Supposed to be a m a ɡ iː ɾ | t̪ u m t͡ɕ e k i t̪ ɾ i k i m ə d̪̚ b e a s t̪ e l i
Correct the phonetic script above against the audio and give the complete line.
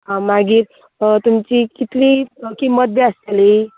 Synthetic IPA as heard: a m a ɡ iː ɾ | t̪ u m t͡ɕ i k i t̪ l i k i m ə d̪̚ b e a s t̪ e l i

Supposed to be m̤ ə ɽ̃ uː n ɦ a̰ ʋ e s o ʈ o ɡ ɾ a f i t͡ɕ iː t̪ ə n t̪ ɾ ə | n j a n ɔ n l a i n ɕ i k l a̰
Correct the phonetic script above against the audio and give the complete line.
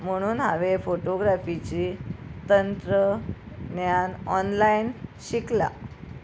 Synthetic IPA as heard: m̤ ə ɽ̃ uː n ɦ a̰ ʋ e f o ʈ o ɡ ɾ a f i t͡ɕ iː t̪ ə n t̪ ɾ ə | n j a n ɔ n l a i n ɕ i k l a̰

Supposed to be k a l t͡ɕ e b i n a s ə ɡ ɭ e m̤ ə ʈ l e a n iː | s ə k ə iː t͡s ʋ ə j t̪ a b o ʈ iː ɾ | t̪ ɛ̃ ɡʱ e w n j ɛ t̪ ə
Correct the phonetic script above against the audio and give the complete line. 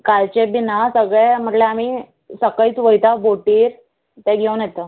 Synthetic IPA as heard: k a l t͡ɕ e b i n a s ə ɡ ɭ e m̤ ə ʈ l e a m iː | s ə k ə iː t͡s ʋ ə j t̪ a b o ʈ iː ɾ | t̪ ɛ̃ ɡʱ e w n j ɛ t̪ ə

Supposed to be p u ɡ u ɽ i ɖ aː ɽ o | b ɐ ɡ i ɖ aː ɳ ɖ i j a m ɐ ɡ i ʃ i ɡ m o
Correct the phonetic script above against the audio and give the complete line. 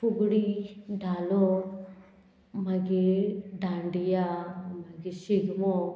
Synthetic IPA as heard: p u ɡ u ɽ i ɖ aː l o | m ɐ ɡ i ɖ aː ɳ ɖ i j a m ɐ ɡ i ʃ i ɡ m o

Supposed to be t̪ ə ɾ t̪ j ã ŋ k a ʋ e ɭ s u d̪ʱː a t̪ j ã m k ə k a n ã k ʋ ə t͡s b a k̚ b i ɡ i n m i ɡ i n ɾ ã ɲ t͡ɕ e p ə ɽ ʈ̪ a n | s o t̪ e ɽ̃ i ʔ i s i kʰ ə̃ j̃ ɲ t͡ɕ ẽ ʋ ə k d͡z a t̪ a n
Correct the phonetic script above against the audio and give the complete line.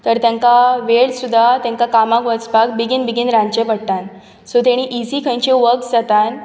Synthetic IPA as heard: t̪ ə ɾ t̪ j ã ŋ k a ʋ e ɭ s u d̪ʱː a t̪ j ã ŋ k a k a m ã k ʋ ə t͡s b a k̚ b i ɡ i n b i ɡ i n ɾ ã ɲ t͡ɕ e p ə ɽ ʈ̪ a n | s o t̪ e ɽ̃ i ʔ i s i kʰ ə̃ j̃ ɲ t͡ɕ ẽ ʋ ə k d͡z a t̪ a n

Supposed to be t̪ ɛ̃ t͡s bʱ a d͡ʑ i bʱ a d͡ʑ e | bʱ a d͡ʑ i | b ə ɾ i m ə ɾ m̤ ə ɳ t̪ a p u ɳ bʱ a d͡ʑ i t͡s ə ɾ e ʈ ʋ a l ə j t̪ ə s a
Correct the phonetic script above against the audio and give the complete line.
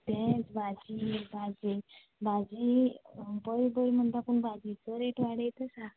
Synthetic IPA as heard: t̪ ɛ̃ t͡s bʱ a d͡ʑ i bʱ a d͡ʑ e | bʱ a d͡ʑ i | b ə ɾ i b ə ɾ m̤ ə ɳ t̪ a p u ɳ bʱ a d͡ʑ i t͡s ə ɾ e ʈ ʋ a ɽ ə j t̪ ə s a

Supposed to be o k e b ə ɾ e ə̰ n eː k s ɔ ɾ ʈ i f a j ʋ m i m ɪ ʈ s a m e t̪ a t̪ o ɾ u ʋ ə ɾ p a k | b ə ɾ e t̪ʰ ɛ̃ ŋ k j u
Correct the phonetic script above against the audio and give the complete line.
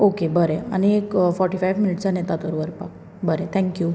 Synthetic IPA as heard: o k e b ə ɾ e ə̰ n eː k f ɔ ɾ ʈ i f a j ʋ m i n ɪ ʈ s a n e t̪ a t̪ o ɾ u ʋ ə ɾ p a k | b ə ɾ e t̪ʰ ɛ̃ ŋ k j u

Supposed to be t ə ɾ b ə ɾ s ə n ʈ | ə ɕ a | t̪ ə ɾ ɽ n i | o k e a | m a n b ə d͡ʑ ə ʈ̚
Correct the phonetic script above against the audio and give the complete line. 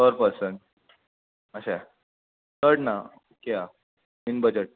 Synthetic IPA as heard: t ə ɾ p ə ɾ s ə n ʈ | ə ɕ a | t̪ ə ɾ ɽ n a | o k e a | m i n b ə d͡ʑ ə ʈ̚

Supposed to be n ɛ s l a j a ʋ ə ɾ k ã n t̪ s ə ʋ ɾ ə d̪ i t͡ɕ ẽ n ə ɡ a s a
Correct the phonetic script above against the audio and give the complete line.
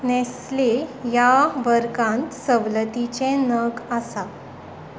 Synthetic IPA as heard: n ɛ s l e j a ʋ ə ɾ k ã n t̪ s ə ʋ l ə t̪ i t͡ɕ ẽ n ə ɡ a s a

